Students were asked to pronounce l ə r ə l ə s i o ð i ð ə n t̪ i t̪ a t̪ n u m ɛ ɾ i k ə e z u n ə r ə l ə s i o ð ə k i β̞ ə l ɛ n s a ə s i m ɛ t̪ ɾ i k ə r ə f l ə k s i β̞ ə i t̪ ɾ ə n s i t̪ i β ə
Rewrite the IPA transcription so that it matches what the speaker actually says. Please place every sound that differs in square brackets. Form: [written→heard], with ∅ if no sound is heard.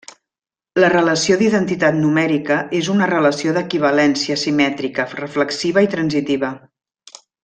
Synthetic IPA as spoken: l ə r ə l ə s i o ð i ð ə n t̪ i t̪ a t̪ n u m ɛ ɾ i k ə e z u n ə r ə l ə s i o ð ə k i β̞ ə l ɛ n s [a→i] ə s i m ɛ t̪ ɾ i k ə r ə f l ə k s i β̞ ə i t̪ ɾ ə n [s→z] i t̪ i β ə